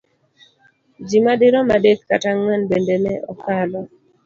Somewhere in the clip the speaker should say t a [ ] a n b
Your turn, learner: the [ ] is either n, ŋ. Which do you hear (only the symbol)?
ŋ